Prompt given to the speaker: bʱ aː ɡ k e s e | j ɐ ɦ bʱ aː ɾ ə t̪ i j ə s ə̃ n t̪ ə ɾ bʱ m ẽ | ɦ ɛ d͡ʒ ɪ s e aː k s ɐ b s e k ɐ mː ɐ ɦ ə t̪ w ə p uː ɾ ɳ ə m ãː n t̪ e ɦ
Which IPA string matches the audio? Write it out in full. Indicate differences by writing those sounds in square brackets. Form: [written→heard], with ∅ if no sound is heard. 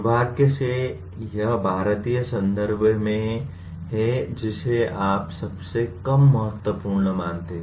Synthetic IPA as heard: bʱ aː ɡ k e s e | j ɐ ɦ bʱ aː ɾ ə t̪ i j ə s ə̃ n [t̪→d̪] ə ɾ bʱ m ẽ | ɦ ɛ d͡ʒ ɪ s e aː [k→p] s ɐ b s e k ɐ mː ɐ ɦ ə t̪ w ə p uː ɾ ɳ ə m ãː n t̪ e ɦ